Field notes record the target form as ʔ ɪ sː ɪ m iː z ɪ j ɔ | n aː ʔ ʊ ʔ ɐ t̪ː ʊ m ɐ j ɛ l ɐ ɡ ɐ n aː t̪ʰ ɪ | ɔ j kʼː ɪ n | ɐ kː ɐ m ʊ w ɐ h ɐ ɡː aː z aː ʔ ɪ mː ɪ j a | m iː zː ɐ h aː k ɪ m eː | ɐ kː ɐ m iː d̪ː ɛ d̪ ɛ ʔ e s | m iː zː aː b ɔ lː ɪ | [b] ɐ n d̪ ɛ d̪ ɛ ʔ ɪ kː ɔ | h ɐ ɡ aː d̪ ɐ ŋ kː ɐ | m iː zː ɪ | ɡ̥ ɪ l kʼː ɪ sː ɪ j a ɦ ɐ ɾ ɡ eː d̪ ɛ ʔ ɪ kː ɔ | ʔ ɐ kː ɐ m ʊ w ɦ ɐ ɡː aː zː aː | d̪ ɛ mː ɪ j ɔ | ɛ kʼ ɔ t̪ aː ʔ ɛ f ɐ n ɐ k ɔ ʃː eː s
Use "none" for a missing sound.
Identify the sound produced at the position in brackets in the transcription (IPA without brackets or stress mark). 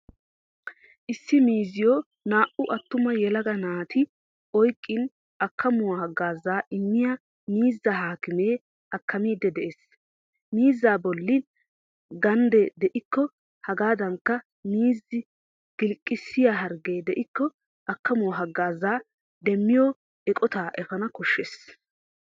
ɡ